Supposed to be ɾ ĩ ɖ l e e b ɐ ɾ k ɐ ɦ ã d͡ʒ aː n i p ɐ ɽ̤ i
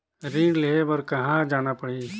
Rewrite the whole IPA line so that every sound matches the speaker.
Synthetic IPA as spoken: ɾ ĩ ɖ l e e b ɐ ɾ k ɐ ɦ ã d͡ʒ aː n a p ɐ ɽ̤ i